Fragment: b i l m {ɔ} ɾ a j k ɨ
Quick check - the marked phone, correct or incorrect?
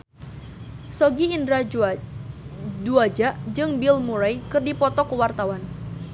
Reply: incorrect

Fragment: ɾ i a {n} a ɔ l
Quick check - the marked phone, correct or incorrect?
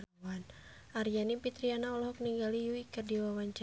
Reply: correct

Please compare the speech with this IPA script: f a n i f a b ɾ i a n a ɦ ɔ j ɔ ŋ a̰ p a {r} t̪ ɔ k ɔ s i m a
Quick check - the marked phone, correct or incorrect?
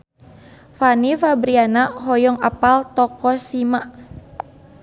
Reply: incorrect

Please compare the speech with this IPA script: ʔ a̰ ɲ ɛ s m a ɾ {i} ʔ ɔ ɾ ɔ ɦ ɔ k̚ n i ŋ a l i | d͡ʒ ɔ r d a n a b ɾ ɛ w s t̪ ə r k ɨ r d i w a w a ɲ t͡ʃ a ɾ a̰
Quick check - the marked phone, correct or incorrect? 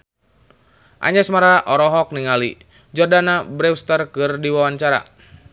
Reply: incorrect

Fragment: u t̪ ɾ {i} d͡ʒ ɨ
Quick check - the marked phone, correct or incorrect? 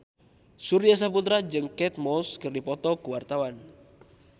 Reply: incorrect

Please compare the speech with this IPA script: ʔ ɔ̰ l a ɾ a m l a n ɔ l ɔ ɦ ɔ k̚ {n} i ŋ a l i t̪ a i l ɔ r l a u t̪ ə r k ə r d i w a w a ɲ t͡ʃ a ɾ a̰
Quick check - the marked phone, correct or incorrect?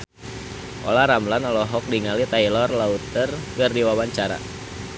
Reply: incorrect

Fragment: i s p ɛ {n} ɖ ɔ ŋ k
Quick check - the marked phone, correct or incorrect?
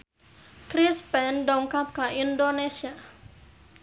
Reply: correct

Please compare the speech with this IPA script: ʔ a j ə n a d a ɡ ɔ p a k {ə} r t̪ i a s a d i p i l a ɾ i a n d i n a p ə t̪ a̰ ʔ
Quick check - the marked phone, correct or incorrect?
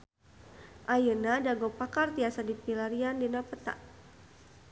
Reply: incorrect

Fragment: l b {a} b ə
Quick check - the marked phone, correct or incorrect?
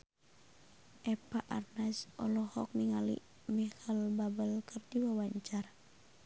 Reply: correct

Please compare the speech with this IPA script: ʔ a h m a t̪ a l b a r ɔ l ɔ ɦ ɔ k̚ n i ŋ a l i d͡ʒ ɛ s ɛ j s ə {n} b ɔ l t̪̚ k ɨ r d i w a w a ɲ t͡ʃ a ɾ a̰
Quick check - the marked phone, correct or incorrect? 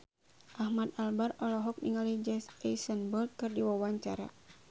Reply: correct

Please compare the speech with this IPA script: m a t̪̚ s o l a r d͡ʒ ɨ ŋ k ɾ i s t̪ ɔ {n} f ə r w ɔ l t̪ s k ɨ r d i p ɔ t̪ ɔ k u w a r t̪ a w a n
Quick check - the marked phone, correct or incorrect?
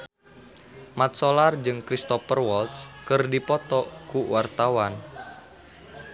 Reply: incorrect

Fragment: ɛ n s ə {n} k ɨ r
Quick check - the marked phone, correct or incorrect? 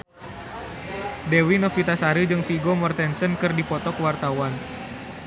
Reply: correct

